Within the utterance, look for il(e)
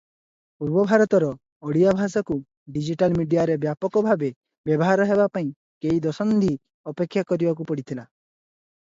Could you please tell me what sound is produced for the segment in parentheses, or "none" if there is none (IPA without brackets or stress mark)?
a